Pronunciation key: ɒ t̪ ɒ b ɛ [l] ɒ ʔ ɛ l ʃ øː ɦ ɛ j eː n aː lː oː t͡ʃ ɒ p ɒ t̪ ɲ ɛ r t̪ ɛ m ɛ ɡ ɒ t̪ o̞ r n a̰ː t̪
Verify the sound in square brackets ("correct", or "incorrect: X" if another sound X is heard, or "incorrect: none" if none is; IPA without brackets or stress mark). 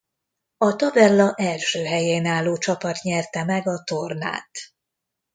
incorrect: lː